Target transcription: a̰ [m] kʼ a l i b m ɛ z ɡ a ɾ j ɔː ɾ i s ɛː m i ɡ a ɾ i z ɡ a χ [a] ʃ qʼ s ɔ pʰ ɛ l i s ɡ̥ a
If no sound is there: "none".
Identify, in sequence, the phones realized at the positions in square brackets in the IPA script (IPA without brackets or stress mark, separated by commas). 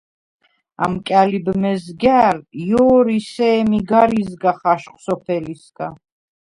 m, a